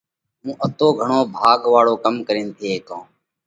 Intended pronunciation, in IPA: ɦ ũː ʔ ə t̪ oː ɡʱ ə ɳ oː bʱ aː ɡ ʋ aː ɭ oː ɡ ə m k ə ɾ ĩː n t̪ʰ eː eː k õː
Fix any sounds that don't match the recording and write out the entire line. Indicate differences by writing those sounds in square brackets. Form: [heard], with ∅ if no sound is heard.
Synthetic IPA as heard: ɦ ũː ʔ ə t̪ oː ɡʱ ə ɳ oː bʱ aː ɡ ʋ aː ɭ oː [k] ə m k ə ɾ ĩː n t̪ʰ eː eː k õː